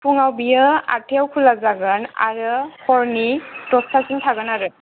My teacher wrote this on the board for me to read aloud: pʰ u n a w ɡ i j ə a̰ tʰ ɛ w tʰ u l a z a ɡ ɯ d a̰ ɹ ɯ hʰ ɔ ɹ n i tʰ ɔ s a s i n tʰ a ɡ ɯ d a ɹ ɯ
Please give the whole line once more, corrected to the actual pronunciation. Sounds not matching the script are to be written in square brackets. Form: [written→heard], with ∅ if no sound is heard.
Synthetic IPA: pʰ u [n→ŋ] a w [ɡ→b] i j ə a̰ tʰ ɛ w [tʰ→kʰ] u l a z a ɡ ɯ [d→n] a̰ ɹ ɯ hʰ ɔ ɹ n i [tʰ→t] ɔ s a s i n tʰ a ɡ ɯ [d→n] a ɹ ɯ